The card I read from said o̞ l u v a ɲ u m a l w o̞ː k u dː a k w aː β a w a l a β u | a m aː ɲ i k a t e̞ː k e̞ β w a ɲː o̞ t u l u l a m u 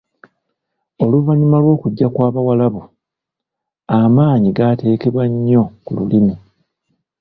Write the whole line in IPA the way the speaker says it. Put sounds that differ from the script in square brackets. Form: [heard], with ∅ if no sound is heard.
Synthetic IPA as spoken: o̞ l u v a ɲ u m a l w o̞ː k u [ɟː] a k w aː β a w a l a β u | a m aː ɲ i [ɡ] a t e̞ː k e̞ β w a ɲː o̞ [k] u l u l [i] m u

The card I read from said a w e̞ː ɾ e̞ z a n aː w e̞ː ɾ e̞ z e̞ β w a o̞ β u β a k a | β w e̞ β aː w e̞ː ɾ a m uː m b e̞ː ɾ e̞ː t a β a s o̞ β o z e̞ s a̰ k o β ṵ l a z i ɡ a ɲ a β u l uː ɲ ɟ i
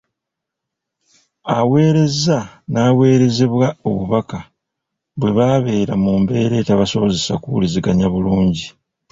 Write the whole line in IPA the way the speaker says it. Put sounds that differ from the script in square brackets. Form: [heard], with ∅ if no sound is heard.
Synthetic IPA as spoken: a w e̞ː ɾ e̞ z a n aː w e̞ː ɾ e̞ z e̞ β w a o̞ β u β a k a | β w e̞ β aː [β] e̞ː ɾ a m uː m b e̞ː ɾ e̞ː t a β a s o̞ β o z e̞ s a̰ k [u] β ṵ l [i] z i ɡ a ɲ a β u l uː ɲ ɟ i

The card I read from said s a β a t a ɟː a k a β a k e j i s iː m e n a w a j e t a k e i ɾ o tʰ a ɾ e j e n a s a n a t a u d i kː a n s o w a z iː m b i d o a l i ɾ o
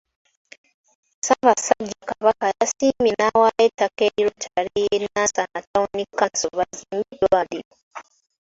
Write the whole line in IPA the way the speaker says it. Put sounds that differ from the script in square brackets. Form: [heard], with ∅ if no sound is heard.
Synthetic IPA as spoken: s a β a [s] a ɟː a k a β a k [a] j [a] s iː m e n a w a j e t a k e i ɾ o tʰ a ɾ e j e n a s a n a t a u [n] i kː a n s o [β] a z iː m b i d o a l i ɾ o

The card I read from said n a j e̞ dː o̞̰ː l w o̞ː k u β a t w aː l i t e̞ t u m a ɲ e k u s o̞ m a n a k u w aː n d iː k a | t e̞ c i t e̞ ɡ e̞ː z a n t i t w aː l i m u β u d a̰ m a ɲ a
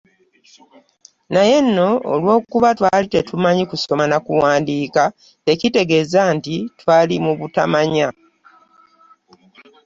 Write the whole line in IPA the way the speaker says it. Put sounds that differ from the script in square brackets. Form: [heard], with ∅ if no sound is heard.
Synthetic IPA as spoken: n a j e̞ [nː] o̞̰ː l w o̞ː k u β a t w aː l i t e̞ t u m a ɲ [i] k u s o̞ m a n a k u w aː n d iː k a | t e̞ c i t e̞ ɡ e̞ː z a n t i t w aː l i m u β u [t] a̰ m a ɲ a

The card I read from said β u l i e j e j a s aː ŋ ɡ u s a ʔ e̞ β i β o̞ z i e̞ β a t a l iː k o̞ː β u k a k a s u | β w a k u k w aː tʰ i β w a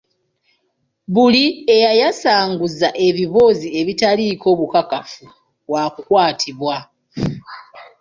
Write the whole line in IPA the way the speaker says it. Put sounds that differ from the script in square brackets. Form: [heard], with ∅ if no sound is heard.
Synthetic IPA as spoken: β u l i e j [a] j a s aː ŋ ɡ u [z] a ʔ e̞ β i β o̞ z i e̞ β [i] t a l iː k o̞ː β u k a k a [f] u | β w a k u k w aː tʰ i β w a

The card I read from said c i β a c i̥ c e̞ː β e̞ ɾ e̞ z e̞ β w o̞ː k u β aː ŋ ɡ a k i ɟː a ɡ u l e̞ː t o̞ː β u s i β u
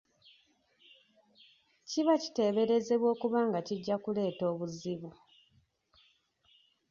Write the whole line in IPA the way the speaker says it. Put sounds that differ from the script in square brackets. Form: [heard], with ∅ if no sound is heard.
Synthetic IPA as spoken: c i β a c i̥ [t] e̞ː β e̞ ɾ e̞ z e̞ β w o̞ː k u β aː ŋ ɡ a [c] i ɟː a [k] u l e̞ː t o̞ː β u [z] i β u

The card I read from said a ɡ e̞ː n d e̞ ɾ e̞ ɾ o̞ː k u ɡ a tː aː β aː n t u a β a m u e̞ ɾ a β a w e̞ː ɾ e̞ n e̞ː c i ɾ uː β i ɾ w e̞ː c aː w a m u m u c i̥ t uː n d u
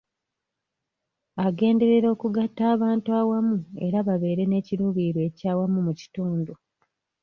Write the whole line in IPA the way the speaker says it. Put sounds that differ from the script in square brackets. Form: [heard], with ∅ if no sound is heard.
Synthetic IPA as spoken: a ɡ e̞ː n d e̞ ɾ e̞ ɾ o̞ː k u ɡ a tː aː β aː n t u a [w] a m u e̞ ɾ a β a [β] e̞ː ɾ e̞ n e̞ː c i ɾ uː β i ɾ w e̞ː c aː w a m u m u c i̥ t uː n d u

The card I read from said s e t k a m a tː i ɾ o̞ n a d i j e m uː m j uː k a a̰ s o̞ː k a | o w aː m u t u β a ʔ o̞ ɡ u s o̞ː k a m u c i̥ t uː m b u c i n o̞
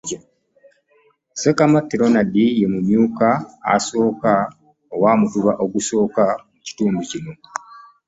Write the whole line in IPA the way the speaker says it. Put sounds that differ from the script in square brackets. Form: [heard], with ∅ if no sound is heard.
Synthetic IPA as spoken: s e [∅] k a m a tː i ɾ o̞ n a d i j e m [u] m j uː k a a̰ s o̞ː k a | o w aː m u t u β a ʔ o̞ ɡ u s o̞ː k a m u c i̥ t uː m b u c i n o̞

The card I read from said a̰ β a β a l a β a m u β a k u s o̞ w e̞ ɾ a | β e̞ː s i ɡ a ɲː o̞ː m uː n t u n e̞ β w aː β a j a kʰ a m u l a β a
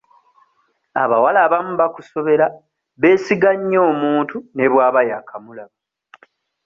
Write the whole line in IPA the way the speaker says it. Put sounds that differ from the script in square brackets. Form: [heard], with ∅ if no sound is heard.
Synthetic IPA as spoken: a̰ β a [w] a l a β a m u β a k u s o̞ [β] e̞ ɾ a | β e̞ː s i ɡ a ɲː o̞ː m uː n t u n e̞ β w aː β a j a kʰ a m u l a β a

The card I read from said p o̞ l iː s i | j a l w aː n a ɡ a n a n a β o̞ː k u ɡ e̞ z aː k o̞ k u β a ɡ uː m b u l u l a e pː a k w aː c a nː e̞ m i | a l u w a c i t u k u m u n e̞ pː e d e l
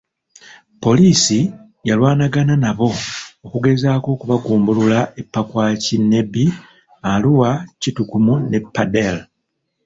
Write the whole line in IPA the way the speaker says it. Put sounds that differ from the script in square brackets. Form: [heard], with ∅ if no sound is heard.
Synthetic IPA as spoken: p o̞ l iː s i | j a l w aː n a ɡ a n a n a β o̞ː k u ɡ e̞ z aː k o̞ k u β a ɡ uː m b u l u l a e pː a k w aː c [i] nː e̞ [b] i | a l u w a c i t u k u m u n e̞ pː [a] d e l

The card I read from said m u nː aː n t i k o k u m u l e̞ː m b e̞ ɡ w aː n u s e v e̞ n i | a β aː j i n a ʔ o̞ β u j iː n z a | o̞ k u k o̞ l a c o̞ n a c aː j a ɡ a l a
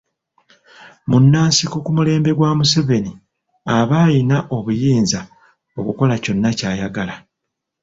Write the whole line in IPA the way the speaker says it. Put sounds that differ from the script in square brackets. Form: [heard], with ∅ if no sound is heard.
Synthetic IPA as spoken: m u nː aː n [s] i k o k u m u l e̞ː m b e̞ ɡ w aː [m] u s e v e̞ n i | a β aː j i n a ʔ o̞ β u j iː n z a | o̞ k u k o̞ l a c o̞ [nː] a c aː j a ɡ a l a

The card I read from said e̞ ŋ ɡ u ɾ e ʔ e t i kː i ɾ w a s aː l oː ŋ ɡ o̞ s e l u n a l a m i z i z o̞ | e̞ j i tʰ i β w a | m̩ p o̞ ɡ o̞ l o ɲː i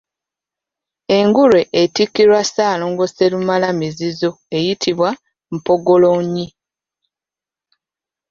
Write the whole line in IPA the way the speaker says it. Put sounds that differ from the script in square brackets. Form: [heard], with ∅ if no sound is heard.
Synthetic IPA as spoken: e̞ ŋ ɡ u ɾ e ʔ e t i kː i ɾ w a s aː l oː ŋ ɡ o̞ s e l u [m] a l a m i z i z o̞ | e̞ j i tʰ i β w a | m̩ p o̞ ɡ o̞ l o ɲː i

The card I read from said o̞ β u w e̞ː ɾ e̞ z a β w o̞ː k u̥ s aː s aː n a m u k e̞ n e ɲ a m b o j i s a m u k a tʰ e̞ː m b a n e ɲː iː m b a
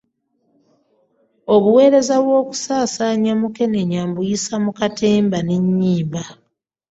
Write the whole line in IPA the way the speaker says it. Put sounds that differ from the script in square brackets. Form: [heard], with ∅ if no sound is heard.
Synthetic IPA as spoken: o̞ β u w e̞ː ɾ e̞ z a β w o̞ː k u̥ s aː s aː [ɲ] a m u k e̞ n e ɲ a m b [u] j i s a m u k a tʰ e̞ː m b a n e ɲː iː m b a

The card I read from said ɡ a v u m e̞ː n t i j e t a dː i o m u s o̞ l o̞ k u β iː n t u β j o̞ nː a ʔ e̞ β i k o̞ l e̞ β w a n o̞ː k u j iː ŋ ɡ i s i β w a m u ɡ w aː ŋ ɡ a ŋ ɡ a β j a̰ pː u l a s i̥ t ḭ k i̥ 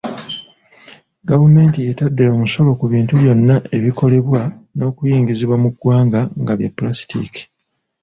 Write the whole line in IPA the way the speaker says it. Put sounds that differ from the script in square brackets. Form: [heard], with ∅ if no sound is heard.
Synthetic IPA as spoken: ɡ a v u m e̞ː n t i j e t a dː [e] o m u s o̞ l o̞ k u β iː n t u β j o̞ nː a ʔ e̞ β i k o̞ l e̞ β w a n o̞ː k u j iː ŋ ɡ i [z] i β w a m u ɡ w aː ŋ ɡ a ŋ ɡ a β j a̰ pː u l a s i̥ t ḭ k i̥

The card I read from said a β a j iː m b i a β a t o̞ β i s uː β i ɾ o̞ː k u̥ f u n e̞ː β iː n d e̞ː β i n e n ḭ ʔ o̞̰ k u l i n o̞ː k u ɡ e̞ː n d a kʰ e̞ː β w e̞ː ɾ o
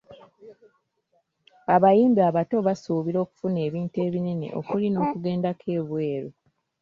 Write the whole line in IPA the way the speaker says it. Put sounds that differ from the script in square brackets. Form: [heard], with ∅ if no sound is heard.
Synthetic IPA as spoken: a β a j iː m b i a β a t o̞ β [a] s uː β i ɾ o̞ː k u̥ f u n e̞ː β iː n [t] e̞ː β i n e n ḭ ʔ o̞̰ k u l i n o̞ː k u ɡ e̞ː n d a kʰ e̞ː β w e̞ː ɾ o

